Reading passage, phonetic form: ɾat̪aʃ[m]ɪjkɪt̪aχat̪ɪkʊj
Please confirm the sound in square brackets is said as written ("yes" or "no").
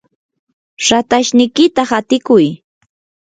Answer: no